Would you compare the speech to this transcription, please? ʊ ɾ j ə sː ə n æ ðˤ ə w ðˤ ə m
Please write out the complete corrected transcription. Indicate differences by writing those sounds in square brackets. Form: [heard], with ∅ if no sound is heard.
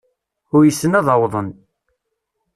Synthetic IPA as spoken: ʊ ɾ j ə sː ə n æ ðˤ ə w ðˤ ə [n]